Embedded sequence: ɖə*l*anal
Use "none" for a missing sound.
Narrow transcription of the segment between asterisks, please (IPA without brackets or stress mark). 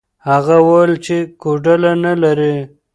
l